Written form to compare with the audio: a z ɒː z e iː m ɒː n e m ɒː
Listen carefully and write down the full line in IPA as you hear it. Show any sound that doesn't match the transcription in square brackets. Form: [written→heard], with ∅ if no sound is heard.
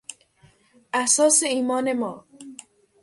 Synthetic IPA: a [z→s] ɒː [z→s] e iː m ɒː n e m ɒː